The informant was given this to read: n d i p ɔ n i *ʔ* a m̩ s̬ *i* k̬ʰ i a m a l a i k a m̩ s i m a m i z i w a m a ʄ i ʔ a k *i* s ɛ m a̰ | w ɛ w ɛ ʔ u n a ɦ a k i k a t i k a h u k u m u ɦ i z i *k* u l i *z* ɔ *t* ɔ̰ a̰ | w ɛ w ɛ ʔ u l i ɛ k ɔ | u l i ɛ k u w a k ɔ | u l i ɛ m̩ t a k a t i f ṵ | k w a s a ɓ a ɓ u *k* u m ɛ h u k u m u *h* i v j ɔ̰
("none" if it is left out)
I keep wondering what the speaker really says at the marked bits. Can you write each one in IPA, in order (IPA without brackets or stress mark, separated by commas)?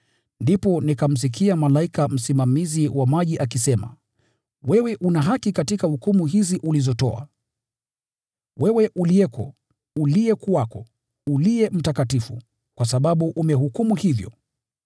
k, i, i, ʔ, z, t, ʔ, h